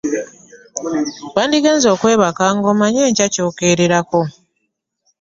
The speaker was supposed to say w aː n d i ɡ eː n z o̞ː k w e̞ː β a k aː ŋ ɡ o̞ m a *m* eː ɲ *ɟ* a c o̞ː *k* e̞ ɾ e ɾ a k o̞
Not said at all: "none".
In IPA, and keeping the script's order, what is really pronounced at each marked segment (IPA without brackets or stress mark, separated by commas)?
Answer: ɲ, c, k